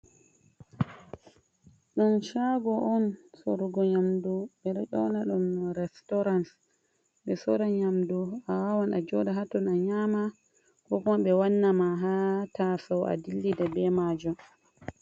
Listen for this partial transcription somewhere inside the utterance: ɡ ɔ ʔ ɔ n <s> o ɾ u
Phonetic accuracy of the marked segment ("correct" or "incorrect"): correct